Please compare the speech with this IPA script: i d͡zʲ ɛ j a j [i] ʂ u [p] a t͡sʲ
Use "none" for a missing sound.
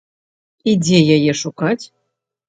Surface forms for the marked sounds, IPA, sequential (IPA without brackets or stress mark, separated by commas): ɛ, k